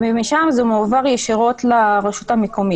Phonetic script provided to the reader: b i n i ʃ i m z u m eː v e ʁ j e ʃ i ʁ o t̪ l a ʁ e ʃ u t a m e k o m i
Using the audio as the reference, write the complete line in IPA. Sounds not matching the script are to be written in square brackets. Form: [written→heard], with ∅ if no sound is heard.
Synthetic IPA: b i [n→m] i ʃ [i→a] m z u m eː v [e→a] ʁ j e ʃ i ʁ o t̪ l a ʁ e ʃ u t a m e k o m i